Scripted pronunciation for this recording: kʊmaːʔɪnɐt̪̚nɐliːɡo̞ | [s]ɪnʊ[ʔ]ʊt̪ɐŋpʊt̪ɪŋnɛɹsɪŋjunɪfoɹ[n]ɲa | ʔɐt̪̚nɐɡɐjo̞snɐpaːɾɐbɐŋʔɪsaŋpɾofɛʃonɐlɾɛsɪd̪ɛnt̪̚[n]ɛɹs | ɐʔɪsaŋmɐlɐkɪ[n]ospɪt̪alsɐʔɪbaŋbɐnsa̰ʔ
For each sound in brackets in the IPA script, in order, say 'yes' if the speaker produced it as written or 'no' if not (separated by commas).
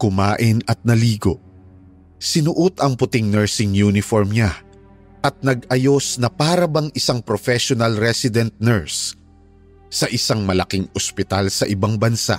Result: yes, yes, no, yes, no